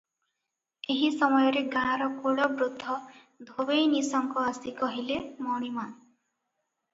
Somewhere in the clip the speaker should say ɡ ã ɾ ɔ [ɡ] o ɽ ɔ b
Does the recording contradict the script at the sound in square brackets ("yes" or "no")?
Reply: yes